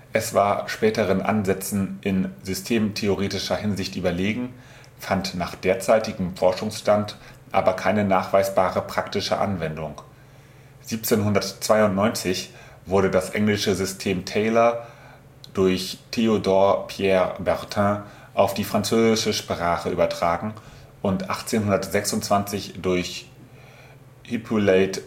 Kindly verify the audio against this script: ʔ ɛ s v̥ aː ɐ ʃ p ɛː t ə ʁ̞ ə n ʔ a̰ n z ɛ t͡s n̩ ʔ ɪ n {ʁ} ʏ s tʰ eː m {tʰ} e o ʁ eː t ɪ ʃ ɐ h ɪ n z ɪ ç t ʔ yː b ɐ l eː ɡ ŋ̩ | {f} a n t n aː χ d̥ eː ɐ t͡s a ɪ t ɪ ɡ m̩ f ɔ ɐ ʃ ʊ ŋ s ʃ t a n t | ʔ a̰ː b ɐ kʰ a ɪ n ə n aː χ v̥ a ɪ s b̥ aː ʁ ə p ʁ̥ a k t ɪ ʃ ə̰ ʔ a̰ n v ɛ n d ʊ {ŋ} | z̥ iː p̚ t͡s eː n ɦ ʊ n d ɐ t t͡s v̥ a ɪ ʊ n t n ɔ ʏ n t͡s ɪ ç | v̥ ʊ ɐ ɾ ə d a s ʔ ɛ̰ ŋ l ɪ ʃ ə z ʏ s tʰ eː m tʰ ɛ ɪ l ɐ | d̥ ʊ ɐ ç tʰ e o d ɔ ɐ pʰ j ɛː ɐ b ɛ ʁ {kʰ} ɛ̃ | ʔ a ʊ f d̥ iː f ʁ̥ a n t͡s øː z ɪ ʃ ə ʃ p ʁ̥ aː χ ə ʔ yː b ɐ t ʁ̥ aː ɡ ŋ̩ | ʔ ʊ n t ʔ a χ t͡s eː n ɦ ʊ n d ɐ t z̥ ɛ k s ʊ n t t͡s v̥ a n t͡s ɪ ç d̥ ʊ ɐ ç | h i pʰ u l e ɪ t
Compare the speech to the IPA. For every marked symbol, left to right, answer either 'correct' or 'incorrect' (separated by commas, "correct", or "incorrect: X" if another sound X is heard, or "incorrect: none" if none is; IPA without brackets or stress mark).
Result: incorrect: z, correct, correct, correct, incorrect: tʰ